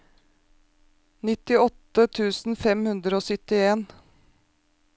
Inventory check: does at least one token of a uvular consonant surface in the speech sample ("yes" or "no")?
no